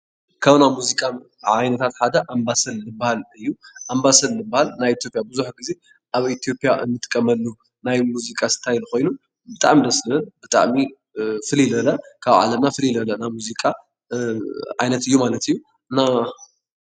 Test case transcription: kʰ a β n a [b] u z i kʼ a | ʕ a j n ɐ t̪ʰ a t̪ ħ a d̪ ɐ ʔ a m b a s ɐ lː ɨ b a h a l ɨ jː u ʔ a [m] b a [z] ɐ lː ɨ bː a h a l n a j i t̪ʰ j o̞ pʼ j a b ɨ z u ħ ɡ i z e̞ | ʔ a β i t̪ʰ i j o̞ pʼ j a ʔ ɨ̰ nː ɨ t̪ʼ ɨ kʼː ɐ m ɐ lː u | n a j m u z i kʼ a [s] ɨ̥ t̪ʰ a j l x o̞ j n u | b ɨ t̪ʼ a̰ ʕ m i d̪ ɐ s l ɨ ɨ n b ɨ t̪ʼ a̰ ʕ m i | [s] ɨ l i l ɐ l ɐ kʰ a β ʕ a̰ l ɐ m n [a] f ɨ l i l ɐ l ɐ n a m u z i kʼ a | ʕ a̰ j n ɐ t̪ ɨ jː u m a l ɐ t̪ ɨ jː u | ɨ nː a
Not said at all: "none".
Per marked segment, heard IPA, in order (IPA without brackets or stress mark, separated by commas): m, m, s, s, f, a